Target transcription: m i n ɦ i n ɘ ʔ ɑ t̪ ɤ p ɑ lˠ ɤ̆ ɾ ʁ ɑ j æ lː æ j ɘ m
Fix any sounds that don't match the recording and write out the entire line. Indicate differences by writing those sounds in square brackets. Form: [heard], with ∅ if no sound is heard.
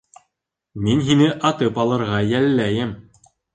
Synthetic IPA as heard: m i n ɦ i n ɘ ʔ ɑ t̪ ɤ p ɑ lˠ ɤ̆ ɾ ʁ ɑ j æ lː æ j ɘ m